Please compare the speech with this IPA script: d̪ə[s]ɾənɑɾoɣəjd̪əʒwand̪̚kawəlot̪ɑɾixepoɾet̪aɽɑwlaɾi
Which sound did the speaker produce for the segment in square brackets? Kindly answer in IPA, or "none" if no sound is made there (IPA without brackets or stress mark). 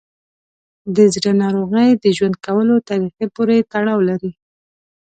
z